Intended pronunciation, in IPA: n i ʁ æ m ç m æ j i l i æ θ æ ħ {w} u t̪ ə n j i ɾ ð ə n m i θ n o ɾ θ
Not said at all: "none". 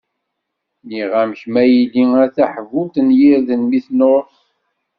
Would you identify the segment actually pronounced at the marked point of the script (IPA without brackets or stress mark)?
v